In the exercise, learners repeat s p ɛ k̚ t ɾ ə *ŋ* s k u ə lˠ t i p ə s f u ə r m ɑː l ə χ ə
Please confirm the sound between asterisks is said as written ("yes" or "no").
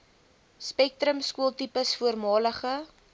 no